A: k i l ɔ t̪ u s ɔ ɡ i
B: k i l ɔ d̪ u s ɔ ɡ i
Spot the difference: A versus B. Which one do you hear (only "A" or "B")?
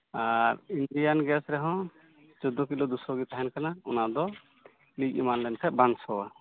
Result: B